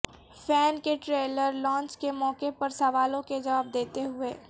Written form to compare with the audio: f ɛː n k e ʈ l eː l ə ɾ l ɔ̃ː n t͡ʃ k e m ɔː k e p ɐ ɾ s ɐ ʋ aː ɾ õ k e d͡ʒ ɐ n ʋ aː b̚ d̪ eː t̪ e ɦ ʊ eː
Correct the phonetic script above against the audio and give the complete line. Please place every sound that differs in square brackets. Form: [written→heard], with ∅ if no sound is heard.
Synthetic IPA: f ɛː n k e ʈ [l→ɾ] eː l ə ɾ l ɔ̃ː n t͡ʃ k e m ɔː k e p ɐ ɾ s ɐ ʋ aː [ɾ→l] õ k e d͡ʒ ɐ [n→∅] ʋ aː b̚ d̪ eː t̪ e ɦ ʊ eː